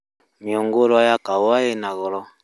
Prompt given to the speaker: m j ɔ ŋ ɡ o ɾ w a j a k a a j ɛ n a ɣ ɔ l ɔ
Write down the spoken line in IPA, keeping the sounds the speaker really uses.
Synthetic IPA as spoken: m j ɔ ŋ ɡ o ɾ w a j a k a a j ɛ n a ɣ ɔ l ɔ